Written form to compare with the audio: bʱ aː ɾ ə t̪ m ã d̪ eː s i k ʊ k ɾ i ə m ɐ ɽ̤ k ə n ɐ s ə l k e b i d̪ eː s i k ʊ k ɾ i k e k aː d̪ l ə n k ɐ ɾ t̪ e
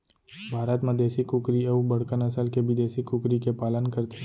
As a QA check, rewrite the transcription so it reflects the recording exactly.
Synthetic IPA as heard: bʱ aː ɾ ə t̪ m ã d̪ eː s i k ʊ k ɾ i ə b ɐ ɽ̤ k ə n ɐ s ə l k e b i d̪ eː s i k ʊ k ɾ i k e p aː l ə n k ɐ ɾ t̪ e